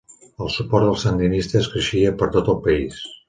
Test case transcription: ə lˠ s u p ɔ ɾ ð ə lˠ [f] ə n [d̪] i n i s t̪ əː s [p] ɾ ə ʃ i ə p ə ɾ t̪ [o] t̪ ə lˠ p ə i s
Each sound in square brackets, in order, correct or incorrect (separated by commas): incorrect, correct, incorrect, correct